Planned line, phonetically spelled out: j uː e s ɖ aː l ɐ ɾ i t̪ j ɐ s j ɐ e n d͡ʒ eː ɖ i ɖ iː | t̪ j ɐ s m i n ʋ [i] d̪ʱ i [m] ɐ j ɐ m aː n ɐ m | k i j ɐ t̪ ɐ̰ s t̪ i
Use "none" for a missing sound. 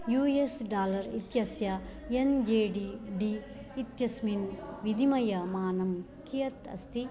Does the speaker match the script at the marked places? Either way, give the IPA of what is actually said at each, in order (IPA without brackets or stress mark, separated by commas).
i, m